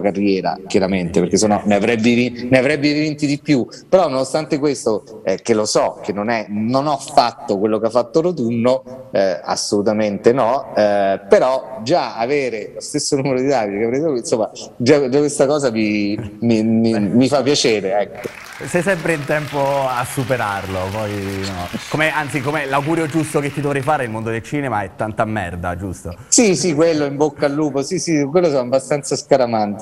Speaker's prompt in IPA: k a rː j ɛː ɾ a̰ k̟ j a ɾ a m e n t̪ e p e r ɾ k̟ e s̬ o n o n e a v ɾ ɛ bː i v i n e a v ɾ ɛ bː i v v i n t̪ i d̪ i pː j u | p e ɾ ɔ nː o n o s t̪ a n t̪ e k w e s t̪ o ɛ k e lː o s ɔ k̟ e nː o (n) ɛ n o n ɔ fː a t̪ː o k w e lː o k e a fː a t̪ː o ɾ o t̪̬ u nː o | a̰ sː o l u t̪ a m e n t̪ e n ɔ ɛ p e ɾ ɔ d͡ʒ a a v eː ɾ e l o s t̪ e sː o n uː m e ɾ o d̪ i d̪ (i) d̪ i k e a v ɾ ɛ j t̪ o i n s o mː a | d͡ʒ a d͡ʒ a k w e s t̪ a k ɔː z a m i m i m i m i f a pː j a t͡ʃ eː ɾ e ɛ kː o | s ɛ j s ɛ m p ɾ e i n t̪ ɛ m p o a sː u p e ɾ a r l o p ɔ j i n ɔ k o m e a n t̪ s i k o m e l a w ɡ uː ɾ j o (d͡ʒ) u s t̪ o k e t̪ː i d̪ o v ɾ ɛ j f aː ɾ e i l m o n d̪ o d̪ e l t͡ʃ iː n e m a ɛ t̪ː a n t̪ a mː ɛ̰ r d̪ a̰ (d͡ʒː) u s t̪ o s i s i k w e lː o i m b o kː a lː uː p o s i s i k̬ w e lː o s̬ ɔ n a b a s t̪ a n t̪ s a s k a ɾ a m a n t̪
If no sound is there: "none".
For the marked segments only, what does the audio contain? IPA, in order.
n, a, d͡ʒ, d͡ʒ

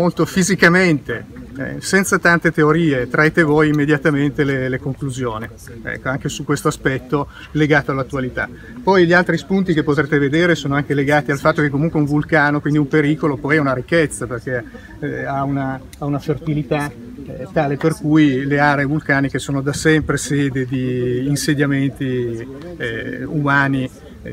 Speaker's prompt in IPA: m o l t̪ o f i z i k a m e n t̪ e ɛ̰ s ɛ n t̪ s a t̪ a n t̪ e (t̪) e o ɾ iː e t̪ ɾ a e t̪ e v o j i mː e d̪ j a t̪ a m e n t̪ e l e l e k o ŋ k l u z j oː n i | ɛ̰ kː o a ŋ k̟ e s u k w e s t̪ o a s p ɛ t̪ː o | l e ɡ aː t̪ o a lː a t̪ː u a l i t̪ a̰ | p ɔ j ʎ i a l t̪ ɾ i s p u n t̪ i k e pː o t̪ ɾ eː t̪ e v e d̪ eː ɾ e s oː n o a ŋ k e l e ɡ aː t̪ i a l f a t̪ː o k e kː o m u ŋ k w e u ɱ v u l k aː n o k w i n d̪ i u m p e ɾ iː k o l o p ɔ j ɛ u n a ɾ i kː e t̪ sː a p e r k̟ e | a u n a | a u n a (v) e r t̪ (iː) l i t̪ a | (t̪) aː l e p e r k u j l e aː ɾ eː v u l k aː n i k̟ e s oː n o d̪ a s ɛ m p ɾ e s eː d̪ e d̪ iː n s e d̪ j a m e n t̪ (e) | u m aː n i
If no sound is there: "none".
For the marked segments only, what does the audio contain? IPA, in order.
t̪, f, i, t̪, i

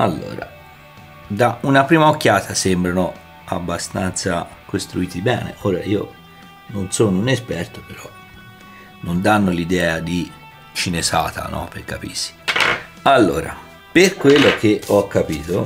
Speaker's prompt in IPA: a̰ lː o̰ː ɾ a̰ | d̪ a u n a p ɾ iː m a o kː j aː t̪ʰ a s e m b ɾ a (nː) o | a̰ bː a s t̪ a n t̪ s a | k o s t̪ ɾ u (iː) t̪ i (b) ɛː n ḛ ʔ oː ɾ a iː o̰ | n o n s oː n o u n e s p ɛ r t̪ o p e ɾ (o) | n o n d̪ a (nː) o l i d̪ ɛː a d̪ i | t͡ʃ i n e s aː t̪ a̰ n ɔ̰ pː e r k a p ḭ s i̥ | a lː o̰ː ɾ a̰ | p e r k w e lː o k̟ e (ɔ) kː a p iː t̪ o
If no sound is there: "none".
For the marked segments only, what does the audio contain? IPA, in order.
n, iː, b, ɔ, nː, ɔ

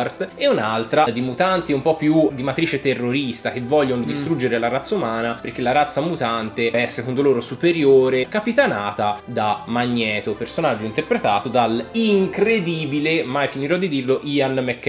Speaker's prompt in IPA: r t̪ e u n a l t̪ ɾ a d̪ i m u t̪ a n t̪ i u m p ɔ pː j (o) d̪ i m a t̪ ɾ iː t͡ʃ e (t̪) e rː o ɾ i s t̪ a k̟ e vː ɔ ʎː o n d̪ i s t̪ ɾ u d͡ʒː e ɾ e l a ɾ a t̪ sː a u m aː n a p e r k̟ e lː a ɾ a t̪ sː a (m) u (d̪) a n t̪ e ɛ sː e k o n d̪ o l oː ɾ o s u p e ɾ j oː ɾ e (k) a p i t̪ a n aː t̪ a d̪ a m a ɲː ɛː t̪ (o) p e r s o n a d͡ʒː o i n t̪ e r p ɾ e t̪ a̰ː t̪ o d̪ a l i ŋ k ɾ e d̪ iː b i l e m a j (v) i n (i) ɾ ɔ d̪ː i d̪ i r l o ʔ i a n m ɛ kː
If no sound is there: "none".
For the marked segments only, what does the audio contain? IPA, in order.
u, t̪, m, t̪, k, o, f, i

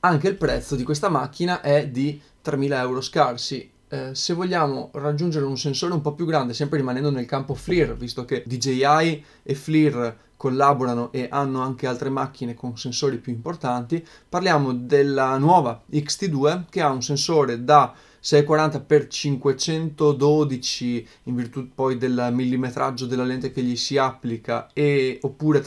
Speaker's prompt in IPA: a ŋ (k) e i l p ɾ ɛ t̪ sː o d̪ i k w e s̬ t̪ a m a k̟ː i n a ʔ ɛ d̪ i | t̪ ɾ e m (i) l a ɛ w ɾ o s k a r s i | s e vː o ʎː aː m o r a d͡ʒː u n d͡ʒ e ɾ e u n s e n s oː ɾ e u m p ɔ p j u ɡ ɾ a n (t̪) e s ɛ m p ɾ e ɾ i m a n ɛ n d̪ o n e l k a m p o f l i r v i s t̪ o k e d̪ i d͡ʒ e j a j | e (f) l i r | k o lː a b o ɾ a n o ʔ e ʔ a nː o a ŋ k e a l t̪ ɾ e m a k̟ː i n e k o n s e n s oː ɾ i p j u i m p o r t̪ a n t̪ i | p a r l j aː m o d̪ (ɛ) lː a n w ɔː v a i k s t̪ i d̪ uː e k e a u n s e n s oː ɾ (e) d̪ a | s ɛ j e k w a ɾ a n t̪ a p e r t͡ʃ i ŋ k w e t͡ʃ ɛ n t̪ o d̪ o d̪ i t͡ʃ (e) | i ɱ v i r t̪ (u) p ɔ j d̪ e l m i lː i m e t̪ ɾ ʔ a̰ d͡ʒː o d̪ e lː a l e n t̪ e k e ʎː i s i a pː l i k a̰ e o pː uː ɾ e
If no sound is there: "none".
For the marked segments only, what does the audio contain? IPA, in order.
k, iː, d̪, f, e, e, i, u

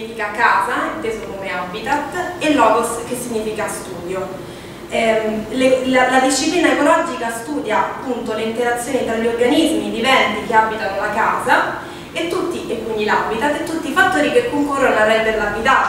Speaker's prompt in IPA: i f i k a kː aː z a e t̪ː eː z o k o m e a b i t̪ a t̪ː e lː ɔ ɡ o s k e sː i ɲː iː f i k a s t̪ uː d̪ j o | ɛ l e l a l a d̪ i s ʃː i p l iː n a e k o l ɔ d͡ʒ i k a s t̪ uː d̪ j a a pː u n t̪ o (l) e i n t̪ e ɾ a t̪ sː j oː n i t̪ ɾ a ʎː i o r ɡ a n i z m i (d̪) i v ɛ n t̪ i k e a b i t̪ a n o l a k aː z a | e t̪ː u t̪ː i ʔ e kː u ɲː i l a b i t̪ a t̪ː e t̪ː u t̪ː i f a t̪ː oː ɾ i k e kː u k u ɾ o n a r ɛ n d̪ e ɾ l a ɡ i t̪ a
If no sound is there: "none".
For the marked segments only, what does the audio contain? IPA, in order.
l, d̪

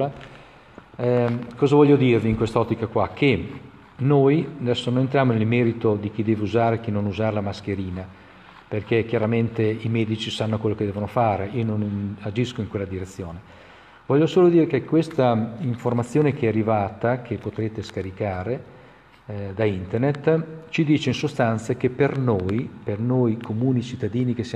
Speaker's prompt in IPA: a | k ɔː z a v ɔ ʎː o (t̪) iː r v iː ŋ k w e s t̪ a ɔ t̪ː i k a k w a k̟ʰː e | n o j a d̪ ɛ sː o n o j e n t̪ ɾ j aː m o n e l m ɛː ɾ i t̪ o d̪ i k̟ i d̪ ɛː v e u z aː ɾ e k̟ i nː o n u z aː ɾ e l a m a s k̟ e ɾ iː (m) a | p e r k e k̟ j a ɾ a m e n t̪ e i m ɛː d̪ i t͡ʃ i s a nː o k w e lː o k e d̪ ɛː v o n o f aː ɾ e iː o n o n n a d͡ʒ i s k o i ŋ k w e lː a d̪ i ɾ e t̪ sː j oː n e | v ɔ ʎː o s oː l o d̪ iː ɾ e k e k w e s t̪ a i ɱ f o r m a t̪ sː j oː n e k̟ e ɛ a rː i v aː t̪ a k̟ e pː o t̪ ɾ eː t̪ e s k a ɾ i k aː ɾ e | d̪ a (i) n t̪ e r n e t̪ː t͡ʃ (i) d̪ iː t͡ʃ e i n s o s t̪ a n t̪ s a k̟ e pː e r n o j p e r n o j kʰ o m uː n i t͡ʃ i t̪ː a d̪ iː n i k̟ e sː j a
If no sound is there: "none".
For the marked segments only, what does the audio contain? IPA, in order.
d̪, n, i, i

